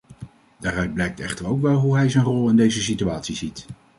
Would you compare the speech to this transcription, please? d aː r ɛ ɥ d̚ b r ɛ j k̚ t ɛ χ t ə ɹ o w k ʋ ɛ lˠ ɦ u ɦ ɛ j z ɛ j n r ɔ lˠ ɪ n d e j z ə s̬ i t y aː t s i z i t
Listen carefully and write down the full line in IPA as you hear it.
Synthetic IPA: d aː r œ ɥ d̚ b l ɛ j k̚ t ɛ χ t ə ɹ o w k ʋ ɛ lˠ ɦ u ɦ ɛ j z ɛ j n r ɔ lˠ ɪ n d e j z ə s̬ i t y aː t s i z i t